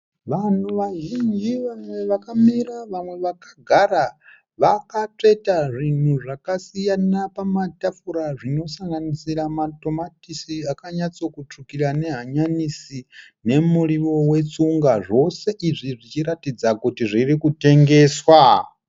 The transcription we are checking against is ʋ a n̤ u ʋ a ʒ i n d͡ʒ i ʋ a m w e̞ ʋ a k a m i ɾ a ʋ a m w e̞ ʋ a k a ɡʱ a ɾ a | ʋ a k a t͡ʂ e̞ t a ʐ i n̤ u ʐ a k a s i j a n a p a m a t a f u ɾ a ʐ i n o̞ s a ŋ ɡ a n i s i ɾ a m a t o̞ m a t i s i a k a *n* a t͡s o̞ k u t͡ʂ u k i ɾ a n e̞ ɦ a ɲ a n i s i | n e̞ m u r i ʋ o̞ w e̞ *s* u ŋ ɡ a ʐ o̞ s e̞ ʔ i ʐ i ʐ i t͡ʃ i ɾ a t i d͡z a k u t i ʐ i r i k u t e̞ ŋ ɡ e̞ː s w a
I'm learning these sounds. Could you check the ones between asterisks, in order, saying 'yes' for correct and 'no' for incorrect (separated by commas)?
no, no